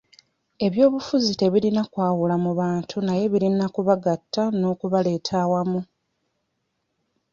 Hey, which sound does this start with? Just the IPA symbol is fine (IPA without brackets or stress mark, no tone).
e̞